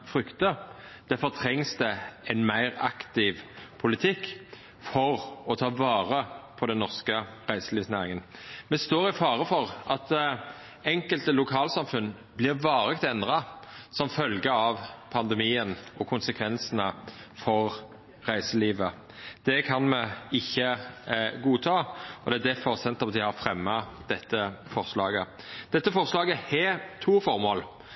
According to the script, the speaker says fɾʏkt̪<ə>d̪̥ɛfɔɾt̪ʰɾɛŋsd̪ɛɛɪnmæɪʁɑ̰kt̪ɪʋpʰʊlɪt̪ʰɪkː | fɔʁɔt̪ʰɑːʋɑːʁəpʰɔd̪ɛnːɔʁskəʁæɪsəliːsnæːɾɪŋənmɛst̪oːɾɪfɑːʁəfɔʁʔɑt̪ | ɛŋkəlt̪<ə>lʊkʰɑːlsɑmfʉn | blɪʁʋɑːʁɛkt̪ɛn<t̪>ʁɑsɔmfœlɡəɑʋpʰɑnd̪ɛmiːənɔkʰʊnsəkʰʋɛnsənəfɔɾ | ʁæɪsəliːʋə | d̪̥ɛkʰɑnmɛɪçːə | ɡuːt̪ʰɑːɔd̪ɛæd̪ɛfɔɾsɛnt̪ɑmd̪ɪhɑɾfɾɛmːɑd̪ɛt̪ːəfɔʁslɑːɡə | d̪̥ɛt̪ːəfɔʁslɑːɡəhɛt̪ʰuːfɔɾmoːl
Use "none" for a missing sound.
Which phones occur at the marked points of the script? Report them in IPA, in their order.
ə, ə, d̪

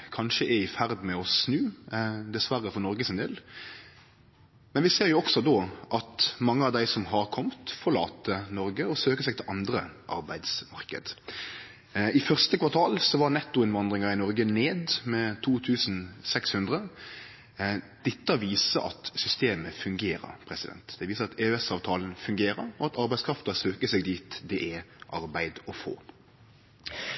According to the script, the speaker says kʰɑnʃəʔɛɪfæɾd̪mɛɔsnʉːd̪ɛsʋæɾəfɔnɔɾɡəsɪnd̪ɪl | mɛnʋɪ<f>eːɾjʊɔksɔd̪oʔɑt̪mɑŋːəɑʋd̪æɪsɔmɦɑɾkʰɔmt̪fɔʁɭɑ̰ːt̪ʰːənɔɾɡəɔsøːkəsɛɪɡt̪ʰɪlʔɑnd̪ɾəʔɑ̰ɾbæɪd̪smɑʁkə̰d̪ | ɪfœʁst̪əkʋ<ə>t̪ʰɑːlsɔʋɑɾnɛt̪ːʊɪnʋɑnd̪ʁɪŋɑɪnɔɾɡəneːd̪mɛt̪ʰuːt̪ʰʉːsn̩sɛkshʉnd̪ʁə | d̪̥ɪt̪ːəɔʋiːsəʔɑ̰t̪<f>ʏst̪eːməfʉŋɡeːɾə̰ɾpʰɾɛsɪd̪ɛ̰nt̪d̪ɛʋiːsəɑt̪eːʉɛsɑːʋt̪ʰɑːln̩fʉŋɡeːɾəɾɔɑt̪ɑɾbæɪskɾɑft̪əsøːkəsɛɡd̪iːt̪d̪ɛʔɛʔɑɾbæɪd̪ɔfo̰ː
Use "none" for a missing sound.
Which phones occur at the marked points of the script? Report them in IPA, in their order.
s, ɑ, s

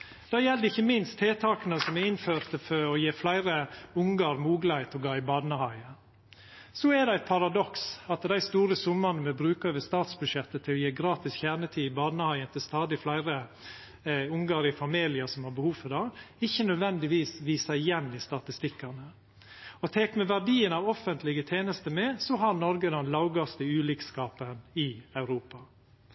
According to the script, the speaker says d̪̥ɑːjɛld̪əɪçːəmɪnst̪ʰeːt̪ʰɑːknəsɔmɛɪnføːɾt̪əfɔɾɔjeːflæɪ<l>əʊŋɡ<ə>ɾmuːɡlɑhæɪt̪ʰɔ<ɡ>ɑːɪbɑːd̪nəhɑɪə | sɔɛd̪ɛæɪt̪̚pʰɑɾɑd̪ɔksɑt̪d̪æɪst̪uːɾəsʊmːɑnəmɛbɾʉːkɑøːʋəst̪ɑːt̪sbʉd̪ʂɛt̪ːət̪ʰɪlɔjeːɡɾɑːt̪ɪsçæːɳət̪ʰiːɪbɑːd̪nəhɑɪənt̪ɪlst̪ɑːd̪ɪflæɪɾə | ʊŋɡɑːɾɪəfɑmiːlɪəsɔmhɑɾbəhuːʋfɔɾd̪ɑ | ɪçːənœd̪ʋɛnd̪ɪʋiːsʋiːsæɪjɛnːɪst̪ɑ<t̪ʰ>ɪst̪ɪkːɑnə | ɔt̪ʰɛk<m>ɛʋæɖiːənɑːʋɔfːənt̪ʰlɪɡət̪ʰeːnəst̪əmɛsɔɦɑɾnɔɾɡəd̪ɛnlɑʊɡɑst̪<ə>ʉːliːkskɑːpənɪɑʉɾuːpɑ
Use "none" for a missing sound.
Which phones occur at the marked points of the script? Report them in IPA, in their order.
ɾ, ɑ, ɡ, t̪, m, ə

